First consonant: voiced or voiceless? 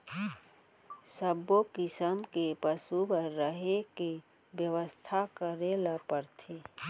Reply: voiceless